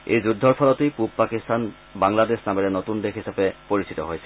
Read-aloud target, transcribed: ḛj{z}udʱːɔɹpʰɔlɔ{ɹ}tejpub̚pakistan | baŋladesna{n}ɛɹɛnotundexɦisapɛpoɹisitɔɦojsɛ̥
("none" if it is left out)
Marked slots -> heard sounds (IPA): z, none, m

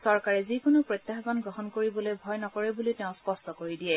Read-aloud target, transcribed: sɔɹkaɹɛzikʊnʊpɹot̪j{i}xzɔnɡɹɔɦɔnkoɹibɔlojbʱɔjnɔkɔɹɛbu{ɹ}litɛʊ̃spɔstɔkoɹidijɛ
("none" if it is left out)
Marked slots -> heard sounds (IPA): a, none

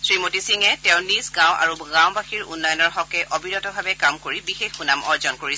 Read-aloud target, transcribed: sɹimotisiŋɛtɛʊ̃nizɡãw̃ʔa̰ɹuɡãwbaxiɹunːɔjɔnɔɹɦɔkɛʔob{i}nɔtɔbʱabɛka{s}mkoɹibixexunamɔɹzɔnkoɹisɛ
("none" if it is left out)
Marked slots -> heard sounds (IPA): i, none

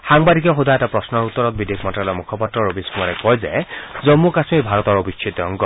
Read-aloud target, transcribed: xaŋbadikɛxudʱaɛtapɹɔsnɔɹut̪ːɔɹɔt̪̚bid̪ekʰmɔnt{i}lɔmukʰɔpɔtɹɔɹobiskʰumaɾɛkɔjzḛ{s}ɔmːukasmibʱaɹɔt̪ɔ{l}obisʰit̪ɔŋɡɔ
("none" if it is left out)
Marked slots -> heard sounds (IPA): a, z, ɹ

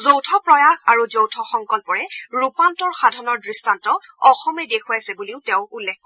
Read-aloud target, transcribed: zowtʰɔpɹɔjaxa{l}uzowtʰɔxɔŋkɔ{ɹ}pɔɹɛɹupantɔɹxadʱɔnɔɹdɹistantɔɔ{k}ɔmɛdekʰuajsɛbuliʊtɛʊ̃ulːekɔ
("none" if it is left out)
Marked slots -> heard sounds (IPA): ɹ, l, x

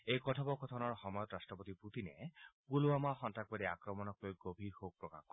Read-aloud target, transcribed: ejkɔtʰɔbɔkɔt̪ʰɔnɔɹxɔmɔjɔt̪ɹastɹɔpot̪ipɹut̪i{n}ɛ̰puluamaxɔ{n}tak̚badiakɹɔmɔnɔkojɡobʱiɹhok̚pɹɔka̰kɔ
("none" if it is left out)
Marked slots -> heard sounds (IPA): n, n

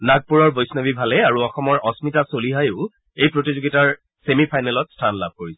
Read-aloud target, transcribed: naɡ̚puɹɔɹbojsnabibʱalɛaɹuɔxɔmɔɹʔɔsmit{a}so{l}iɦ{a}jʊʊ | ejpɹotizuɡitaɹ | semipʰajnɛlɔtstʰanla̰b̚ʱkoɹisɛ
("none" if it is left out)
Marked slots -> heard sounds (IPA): a, l, a

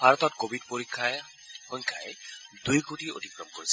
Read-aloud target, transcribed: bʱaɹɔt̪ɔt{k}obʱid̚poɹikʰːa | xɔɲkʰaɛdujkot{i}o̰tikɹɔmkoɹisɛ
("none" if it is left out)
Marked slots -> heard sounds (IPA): k, i

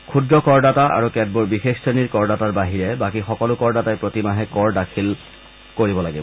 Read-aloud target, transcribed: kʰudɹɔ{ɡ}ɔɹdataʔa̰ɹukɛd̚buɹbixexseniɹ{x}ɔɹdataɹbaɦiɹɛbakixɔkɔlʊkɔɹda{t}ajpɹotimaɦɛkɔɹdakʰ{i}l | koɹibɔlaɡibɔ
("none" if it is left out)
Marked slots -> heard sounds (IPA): k, k, t, i

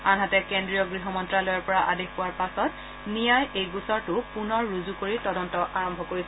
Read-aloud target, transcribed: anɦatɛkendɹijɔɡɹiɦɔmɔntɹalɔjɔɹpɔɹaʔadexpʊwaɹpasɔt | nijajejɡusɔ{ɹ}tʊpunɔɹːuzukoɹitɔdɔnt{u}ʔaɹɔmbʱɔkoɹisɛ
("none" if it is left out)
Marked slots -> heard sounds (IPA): ɹ, ɔ

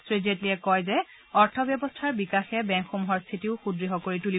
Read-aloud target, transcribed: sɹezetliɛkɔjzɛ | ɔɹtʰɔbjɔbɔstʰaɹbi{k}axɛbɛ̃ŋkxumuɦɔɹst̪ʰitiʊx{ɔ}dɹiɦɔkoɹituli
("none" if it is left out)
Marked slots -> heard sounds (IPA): k, u

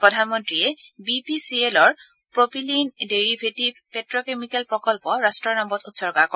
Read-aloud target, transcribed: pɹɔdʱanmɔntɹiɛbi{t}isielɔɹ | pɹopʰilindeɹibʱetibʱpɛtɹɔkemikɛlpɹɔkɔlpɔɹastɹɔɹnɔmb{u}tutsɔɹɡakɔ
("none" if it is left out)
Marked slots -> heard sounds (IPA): p, ɔ

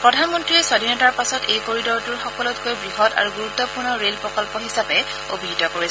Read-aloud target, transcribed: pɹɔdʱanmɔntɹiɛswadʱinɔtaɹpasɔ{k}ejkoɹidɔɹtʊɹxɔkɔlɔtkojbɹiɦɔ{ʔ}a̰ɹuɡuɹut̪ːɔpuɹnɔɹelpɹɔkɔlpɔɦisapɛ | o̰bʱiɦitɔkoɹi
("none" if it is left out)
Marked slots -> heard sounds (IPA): t, t

